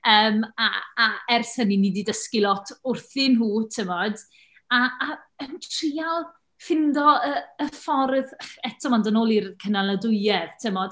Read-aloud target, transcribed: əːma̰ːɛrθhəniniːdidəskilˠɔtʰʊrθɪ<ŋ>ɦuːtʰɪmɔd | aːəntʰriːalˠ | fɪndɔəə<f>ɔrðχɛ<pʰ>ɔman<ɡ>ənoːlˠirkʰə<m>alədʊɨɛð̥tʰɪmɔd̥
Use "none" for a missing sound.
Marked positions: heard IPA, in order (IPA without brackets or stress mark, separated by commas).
n, f, tʰ, d, n